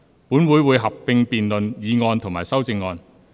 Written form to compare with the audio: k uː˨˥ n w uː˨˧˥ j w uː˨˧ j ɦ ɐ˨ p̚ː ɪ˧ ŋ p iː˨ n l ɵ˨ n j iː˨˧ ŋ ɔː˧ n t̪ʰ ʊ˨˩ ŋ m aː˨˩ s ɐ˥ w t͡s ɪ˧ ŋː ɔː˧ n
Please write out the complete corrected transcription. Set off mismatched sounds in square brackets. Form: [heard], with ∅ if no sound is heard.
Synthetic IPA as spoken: [p] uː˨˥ n w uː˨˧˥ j w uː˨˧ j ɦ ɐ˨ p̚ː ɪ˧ ŋ p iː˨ n l ɵ˨ n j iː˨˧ ŋ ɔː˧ n t̪ʰ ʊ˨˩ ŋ m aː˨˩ s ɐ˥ w t͡s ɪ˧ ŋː ɔː˧ n